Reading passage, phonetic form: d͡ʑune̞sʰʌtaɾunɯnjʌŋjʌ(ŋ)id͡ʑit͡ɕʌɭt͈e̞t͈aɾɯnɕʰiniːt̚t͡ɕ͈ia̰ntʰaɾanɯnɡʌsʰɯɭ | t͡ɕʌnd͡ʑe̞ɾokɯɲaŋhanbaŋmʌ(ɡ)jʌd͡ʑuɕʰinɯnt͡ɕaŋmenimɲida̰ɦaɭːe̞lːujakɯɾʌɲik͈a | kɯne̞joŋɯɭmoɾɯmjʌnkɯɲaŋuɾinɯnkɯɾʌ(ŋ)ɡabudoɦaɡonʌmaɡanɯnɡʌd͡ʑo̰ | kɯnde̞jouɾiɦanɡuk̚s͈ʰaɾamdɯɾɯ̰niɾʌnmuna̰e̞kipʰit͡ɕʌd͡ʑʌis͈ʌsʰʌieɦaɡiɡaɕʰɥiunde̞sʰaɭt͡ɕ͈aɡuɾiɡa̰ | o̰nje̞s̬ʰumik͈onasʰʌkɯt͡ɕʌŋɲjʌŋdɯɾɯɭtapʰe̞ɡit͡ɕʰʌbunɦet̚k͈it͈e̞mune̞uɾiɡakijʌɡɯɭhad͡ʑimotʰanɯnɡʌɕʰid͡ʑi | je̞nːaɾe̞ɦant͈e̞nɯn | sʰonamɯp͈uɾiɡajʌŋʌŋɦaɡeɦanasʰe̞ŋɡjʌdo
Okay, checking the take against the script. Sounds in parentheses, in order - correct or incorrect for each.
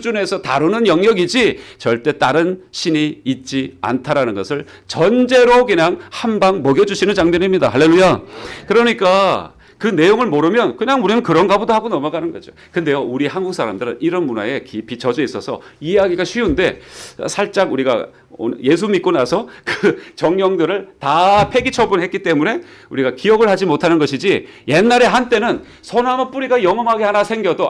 incorrect: ɡ, correct, incorrect: n

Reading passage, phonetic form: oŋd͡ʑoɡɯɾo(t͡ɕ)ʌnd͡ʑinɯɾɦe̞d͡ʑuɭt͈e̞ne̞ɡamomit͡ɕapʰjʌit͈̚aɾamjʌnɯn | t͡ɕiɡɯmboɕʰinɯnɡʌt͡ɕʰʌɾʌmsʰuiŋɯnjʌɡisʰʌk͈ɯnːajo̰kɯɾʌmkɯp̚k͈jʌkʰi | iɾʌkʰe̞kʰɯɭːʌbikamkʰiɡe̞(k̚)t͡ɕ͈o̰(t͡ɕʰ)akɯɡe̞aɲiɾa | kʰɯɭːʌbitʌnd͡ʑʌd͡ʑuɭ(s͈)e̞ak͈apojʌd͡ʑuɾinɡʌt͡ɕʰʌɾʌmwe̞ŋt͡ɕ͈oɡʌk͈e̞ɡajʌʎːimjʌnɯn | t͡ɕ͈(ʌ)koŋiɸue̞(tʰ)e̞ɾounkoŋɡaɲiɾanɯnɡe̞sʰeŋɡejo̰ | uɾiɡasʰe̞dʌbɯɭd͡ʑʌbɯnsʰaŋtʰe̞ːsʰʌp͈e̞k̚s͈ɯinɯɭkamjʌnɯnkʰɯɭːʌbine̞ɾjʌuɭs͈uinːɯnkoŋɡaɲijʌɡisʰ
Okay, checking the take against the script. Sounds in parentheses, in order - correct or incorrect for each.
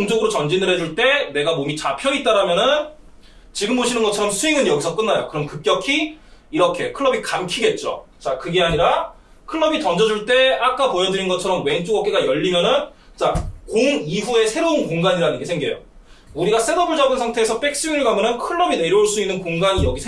correct, incorrect: t̚, incorrect: t͡ɕ, incorrect: t͈, incorrect: a, incorrect: sʰ

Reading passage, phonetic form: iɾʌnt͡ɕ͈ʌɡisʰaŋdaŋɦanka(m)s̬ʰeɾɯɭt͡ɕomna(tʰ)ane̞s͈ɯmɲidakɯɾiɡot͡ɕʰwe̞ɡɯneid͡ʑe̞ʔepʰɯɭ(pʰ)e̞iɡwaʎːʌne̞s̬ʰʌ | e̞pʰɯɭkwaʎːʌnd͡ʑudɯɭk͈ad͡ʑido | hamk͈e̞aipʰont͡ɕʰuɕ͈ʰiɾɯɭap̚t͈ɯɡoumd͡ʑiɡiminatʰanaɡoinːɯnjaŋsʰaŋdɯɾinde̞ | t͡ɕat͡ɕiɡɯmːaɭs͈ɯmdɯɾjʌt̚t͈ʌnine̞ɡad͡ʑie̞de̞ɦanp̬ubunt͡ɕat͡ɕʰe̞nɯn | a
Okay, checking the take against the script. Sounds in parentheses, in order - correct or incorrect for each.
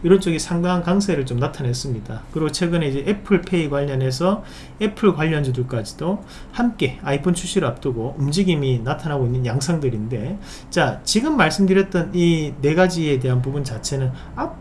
incorrect: ŋ, correct, correct

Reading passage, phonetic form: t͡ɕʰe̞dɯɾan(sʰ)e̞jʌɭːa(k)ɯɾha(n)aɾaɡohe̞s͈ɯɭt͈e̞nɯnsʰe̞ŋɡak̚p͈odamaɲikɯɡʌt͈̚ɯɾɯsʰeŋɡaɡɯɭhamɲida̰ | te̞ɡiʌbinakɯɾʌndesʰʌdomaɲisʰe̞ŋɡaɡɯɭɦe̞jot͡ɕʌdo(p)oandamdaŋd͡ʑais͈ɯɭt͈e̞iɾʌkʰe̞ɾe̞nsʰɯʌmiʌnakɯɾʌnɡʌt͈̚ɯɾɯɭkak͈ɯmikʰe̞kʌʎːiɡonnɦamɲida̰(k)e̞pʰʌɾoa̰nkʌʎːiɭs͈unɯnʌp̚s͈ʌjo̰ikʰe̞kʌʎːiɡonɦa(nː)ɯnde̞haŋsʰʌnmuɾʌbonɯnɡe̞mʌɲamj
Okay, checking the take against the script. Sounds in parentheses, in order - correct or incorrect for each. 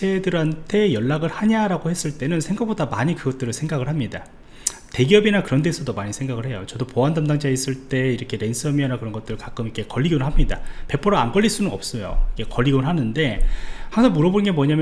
incorrect: tʰ, incorrect: ɡ, incorrect: ɲ, correct, incorrect: p, incorrect: n

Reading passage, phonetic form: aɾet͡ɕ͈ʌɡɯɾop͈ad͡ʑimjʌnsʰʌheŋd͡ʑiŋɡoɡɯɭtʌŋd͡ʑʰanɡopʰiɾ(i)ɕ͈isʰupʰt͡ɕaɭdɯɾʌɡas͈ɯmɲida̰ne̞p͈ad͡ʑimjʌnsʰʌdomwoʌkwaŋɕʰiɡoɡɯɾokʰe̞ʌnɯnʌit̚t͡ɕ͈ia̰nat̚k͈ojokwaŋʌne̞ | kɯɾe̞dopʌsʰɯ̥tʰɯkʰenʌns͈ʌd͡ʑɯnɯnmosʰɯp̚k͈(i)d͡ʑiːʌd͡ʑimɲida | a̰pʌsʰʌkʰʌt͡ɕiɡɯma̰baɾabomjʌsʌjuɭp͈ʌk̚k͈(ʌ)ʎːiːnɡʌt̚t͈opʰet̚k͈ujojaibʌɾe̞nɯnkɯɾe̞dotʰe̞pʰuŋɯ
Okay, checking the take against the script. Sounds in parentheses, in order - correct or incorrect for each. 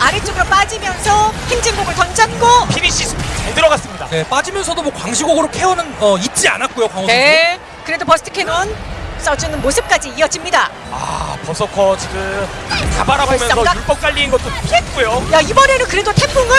correct, incorrect: a, incorrect: a

